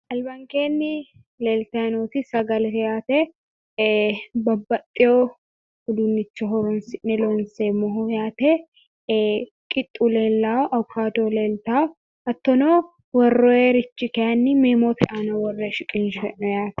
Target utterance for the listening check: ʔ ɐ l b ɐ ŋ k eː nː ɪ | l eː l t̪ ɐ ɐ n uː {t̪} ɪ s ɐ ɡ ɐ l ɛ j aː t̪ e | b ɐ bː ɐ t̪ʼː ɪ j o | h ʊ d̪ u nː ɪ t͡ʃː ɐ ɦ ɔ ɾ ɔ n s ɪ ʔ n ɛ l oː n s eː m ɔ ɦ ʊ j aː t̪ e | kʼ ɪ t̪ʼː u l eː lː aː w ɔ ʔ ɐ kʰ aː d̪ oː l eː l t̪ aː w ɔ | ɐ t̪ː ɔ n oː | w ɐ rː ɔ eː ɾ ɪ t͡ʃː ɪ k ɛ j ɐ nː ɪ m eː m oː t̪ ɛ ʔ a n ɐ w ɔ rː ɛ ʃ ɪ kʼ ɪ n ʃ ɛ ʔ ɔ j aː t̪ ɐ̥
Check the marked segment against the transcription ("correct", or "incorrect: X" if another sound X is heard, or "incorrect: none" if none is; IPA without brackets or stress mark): correct